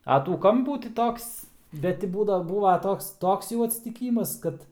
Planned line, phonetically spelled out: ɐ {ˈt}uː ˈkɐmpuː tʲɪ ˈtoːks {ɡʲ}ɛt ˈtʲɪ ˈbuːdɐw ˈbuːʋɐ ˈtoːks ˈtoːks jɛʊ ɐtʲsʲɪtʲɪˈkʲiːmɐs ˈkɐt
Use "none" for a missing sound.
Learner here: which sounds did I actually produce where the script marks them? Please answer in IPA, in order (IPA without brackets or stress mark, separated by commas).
t, bʲ